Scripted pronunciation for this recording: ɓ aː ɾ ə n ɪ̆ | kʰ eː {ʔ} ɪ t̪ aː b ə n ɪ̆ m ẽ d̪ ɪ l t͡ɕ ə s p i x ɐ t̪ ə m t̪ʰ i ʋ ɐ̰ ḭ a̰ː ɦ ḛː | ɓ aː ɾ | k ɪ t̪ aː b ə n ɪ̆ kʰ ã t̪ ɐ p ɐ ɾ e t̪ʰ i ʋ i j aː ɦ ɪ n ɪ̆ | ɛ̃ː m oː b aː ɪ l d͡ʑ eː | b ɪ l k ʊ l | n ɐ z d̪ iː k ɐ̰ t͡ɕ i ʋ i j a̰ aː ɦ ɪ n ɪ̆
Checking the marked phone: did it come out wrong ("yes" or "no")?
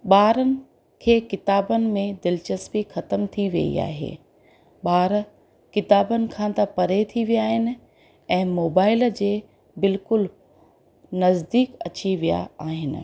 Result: yes